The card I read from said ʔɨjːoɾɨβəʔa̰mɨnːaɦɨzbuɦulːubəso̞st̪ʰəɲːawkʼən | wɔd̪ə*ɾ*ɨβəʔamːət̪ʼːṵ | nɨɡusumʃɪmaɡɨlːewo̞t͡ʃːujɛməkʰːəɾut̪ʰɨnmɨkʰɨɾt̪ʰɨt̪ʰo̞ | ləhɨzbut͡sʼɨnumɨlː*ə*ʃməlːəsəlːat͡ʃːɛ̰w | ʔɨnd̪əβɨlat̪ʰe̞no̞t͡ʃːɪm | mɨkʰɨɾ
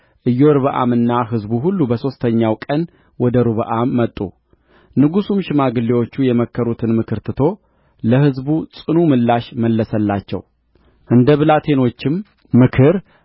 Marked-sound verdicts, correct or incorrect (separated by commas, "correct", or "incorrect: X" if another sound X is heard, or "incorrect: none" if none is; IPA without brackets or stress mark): correct, incorrect: a